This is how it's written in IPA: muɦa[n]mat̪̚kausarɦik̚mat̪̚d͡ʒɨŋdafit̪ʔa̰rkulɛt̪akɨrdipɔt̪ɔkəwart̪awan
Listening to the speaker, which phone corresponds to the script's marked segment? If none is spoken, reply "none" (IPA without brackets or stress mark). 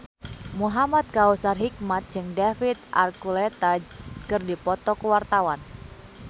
none